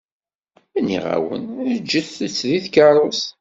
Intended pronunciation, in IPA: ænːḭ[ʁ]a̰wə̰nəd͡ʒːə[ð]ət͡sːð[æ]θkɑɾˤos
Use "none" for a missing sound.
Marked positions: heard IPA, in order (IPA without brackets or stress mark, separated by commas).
ʁ, θ, i